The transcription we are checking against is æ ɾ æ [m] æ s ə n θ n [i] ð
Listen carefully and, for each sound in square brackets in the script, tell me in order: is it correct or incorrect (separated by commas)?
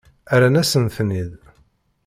incorrect, correct